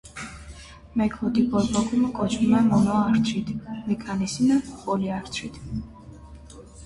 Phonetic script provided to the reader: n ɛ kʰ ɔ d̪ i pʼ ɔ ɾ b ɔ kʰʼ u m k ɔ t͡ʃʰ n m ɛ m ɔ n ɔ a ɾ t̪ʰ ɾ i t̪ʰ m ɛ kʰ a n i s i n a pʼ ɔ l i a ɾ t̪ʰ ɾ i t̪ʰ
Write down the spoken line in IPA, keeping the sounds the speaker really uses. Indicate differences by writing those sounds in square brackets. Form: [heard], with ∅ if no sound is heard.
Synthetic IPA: [m] ɛ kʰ ɔ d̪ i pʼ ɔ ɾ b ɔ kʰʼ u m [kʼ] ɔ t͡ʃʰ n m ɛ m ɔ n ɔ a ɾ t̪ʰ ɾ i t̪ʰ m ɛ kʰ a n i s i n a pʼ ɔ l i a ɾ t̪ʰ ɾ i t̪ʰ

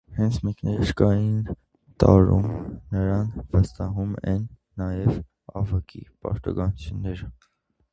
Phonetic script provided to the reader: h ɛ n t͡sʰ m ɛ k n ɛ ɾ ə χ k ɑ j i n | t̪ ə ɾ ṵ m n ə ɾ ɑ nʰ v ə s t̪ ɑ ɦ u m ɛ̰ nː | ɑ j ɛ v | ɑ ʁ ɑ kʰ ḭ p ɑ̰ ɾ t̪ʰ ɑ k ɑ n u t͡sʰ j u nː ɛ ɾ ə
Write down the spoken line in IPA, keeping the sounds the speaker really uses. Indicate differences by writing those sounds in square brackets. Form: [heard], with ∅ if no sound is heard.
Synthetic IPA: h ɛ n t͡sʰ m ɛ k n ɛ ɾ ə [ʃ] k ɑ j i n | t̪ [ɑ] ɾ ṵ m n ə ɾ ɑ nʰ v ə s t̪ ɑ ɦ u m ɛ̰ nː | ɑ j ɛ v | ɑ [v] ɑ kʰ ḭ p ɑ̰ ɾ [t̪] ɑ [ɡ] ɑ n u t͡sʰ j u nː ɛ ɾ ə

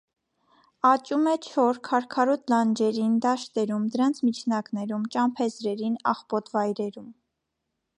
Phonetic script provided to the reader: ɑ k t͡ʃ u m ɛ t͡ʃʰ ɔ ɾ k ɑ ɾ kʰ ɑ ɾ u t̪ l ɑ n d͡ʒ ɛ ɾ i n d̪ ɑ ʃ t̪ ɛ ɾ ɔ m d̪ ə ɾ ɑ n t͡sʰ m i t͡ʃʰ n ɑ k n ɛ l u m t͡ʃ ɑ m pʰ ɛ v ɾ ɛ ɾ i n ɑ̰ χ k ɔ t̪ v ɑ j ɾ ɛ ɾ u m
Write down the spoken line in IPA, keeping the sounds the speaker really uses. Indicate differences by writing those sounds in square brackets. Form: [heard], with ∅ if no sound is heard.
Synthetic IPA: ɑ [∅] t͡ʃ u m ɛ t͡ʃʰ ɔ ɾ [kʰ] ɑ ɾ kʰ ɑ ɾ u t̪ l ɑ n d͡ʒ ɛ ɾ i n d̪ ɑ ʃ t̪ ɛ ɾ [u] m d̪ ə ɾ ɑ n t͡sʰ m i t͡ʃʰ n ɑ k n ɛ [ɾ] u m t͡ʃ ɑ m pʰ ɛ [z] ɾ ɛ ɾ i n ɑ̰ χ [p] ɔ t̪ v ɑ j ɾ ɛ ɾ u m

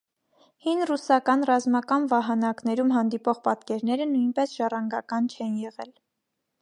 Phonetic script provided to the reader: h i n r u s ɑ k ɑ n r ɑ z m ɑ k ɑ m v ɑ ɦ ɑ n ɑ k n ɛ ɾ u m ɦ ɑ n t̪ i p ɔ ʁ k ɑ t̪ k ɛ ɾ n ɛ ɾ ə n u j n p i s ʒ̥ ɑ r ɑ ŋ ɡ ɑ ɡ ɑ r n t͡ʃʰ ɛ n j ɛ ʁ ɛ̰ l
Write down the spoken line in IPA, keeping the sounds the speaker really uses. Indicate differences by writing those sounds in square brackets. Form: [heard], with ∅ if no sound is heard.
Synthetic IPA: h i n r u s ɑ k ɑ n r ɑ z m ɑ k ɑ [n] v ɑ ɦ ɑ n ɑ k n ɛ ɾ u m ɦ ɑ n [d̪] i p ɔ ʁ [p] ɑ t̪ k ɛ ɾ n ɛ ɾ ə n u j n p [ɛ] s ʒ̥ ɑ r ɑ ŋ ɡ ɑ [k] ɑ [∅] n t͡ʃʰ ɛ n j ɛ ʁ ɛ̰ l

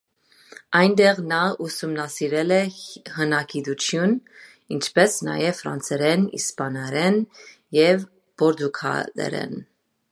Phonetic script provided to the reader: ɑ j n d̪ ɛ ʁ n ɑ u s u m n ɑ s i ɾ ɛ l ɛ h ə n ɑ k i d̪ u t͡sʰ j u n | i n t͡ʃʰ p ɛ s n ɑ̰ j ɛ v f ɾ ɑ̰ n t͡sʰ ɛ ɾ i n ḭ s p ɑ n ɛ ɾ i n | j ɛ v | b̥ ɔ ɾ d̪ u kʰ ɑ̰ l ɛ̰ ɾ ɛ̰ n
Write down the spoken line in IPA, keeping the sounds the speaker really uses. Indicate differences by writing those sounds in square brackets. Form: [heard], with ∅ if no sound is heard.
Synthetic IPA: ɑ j n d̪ ɛ ʁ n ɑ u s u m n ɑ s i ɾ ɛ l ɛ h ə n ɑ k i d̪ u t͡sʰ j u n | i n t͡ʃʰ p ɛ s n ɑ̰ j ɛ v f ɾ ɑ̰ n t͡sʰ ɛ ɾ [ɛ] n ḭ s p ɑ n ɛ ɾ [ɛ] n | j ɛ v | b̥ ɔ ɾ d̪ u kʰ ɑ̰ l ɛ̰ ɾ ɛ̰ n

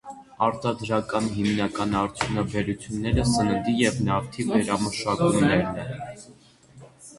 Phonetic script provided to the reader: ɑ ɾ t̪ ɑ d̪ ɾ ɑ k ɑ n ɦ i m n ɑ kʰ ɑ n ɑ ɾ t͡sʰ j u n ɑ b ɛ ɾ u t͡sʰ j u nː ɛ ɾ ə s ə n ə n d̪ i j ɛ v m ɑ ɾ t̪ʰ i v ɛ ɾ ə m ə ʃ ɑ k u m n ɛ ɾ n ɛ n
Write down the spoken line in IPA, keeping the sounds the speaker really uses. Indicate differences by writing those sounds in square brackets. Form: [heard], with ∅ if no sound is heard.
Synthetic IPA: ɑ ɾ t̪ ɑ d̪ ɾ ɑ k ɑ n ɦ i m n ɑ [k] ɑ n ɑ ɾ t͡sʰ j u n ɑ b ɛ ɾ u t͡sʰ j u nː ɛ ɾ ə s ə n ə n d̪ i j ɛ v [n] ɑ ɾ t̪ʰ i v ɛ ɾ [ɑ] m ə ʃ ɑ k u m n ɛ ɾ n ɛ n

